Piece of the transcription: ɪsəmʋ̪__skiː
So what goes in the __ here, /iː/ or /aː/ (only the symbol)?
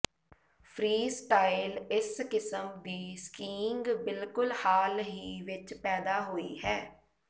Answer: iː